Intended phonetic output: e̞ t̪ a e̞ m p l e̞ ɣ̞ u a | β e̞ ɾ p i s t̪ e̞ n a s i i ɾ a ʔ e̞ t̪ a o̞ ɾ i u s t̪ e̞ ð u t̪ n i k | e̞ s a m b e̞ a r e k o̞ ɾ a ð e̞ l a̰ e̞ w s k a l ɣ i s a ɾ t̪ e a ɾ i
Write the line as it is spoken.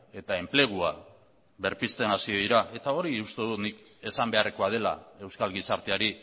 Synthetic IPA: e̞ t̪ a e̞ m p l e̞ ɣ̞ u a | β e̞ ɾ p i s t̪ e̞ n a s i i ɾ a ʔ e̞ t̪ a o̞ ɾ i u s t̪ e̞ ð u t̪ n i k | e̞ s a m b e̞ a r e k o̞ a ð e̞ l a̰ e̞ w s k a l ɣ i s a ɾ t̪ e a ɾ i